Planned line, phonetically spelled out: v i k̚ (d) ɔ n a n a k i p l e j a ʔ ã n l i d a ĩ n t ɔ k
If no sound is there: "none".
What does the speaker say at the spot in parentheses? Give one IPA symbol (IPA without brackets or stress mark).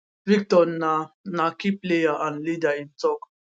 t